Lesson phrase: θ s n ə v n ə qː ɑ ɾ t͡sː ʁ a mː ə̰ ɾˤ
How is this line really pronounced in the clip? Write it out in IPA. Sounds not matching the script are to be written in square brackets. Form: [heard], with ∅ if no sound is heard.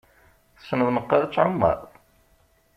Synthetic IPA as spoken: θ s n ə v n ə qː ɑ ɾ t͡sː [ʕ] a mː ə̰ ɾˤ